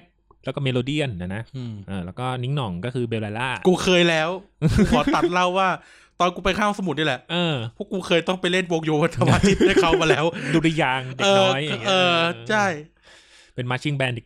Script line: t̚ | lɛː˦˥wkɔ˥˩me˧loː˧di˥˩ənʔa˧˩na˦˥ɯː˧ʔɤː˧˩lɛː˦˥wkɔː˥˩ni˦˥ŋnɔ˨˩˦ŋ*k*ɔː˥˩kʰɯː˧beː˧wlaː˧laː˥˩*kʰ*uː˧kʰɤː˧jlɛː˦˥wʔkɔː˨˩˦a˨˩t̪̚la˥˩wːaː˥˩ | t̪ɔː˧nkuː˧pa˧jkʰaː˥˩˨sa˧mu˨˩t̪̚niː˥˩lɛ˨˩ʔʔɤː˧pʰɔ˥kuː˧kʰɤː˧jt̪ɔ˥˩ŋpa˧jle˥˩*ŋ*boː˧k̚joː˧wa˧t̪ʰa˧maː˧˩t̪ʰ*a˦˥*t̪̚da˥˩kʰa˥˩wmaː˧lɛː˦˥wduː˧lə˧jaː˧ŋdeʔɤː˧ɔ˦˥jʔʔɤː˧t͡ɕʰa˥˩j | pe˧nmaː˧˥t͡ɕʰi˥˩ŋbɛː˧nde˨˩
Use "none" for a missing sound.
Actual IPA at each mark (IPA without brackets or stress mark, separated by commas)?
k, k, n, i˦˥